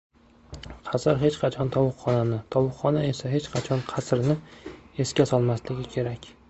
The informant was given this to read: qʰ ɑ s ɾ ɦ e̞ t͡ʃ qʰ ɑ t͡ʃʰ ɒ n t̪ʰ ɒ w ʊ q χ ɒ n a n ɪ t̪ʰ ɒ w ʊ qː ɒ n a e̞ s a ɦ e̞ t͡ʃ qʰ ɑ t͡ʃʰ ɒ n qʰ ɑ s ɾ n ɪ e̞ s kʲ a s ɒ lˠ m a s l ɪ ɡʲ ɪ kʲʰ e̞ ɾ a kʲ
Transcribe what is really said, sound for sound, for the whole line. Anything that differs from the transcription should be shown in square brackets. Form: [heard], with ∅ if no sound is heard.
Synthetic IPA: qʰ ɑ s ɾ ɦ e̞ t͡ʃ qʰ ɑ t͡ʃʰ ɒ n t̪ʰ ɒ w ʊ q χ ɒ n a n ɪ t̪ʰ ɒ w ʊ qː ɒ n a e̞ s a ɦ e̞ t͡ʃ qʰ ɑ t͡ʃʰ ɒ n qʰ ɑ s ɾ n ɪ e̞ s kʲ a s ɒ lˠ m a s l ɪ ɡʲ ɪ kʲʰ e̞ ɾ a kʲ

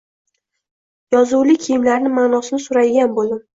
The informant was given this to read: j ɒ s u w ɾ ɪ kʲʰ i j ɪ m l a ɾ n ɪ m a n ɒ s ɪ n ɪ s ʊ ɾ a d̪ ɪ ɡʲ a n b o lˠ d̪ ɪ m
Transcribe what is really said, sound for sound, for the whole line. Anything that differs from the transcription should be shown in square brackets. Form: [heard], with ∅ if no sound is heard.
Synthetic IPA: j ɒ [z] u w [l] ɪ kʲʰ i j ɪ m l a ɾ n ɪ m a n ɒ s ɪ n ɪ s ʊ ɾ a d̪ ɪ ɡʲ a n b o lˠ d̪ ɪ m

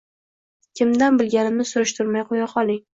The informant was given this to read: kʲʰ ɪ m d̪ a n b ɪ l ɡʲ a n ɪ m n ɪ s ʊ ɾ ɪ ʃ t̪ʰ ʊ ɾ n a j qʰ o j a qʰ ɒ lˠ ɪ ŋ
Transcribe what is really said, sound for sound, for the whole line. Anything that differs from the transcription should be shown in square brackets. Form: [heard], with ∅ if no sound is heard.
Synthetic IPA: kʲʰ ɪ m d̪ a n b ɪ l ɡʲ a n ɪ m n ɪ s ʊ ɾ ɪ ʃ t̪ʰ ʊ ɾ [m] a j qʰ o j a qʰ ɒ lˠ ɪ ŋ

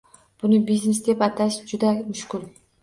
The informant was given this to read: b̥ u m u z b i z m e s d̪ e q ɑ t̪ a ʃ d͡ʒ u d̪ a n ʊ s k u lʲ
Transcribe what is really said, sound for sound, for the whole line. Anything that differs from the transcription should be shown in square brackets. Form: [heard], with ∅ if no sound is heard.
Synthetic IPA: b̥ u [n] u [∅] b i z [n] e s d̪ e [p] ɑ t̪ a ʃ d͡ʒ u d̪ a [m] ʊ [ʃ] k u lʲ

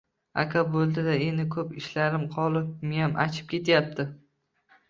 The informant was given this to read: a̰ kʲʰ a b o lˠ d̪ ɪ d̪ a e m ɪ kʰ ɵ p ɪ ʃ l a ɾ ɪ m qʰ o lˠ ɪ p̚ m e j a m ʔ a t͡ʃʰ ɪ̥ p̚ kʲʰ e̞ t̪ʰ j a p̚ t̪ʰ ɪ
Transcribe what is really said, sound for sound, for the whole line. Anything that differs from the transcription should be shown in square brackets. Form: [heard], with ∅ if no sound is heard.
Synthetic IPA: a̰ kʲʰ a b o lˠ d̪ ɪ d̪ a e [n] ɪ kʰ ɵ p ɪ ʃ l a ɾ ɪ m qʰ [ɒ] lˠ ɪ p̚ m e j a m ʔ a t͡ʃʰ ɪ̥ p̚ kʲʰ e̞ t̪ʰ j a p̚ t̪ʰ ɪ

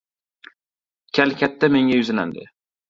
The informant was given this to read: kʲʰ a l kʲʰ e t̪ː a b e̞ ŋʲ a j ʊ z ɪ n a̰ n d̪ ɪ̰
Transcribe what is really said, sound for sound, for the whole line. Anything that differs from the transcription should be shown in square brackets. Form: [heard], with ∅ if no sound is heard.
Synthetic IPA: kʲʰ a l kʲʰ [a] t̪ː a [m] e̞ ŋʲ a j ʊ z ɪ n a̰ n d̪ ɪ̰

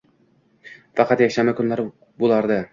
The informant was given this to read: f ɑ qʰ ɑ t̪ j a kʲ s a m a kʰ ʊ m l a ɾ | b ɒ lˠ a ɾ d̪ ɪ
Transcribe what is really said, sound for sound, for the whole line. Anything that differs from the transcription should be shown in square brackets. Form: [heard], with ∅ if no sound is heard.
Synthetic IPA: f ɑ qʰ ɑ t̪ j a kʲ [ʃ] a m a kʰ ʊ [n] l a ɾ | b [o] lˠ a ɾ d̪ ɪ

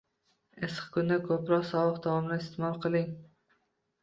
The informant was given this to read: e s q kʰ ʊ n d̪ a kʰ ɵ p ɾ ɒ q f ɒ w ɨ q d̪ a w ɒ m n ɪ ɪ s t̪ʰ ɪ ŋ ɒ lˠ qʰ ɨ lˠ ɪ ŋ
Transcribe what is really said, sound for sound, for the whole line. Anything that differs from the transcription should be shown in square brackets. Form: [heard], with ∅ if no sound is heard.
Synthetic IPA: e s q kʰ ʊ n d̪ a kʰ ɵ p ɾ ɒ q [s] ɒ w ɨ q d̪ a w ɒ m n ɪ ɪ s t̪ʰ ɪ [m] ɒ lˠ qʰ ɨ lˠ ɪ ŋ

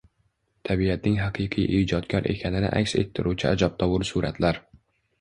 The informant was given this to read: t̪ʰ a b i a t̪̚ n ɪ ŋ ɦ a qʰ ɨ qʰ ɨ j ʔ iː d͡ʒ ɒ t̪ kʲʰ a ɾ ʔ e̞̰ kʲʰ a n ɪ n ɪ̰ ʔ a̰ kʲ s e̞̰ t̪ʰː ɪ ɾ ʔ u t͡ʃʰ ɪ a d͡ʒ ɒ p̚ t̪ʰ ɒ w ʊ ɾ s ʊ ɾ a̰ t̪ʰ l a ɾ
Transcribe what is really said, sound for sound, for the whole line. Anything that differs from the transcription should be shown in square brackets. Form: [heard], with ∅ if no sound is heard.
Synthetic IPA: t̪ʰ a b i a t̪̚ n ɪ ŋ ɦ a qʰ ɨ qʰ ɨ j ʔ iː d͡ʒ ɒ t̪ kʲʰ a ɾ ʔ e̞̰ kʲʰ a n ɪ n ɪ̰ ʔ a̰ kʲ s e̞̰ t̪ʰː ɪ ɾ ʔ u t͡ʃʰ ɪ a d͡ʒ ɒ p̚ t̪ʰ ɒ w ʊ ɾ s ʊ ɾ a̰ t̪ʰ l a ɾ

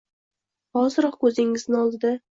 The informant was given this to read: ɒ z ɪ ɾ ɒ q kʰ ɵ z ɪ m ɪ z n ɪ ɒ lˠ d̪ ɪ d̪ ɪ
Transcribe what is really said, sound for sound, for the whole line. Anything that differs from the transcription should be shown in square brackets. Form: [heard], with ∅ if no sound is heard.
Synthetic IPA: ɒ z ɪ ɾ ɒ q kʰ ɵ z ɪ [ŋ] ɪ z n ɪ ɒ lˠ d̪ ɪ d̪ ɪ

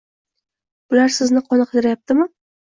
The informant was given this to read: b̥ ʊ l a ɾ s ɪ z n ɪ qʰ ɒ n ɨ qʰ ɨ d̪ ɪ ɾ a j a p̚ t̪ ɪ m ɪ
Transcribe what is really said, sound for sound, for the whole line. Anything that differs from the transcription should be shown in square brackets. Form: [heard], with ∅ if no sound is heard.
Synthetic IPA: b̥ ʊ l a ɾ s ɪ z n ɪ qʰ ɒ n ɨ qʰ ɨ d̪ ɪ ɾ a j a p̚ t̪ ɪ m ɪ

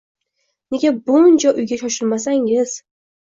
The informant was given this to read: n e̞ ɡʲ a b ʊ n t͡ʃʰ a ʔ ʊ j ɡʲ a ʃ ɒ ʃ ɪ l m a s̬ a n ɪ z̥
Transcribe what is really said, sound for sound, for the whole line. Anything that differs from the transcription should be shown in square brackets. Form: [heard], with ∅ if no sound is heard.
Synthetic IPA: n e̞ ɡʲ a b ʊ n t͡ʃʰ a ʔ ʊ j ɡʲ a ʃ ɒ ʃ ɪ l m a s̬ a [ŋ] ɪ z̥

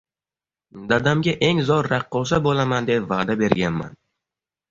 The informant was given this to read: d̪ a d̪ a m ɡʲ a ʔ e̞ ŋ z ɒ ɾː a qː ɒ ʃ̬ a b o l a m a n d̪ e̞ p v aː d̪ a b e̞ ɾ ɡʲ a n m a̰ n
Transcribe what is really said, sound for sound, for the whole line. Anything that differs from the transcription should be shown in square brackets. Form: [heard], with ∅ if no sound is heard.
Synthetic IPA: d̪ a d̪ a m ɡʲ a ʔ e̞ ŋ z ɒ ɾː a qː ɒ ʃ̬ a b o l a m a n d̪ e̞ p v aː d̪ a b e̞ ɾ ɡʲ a n m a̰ n

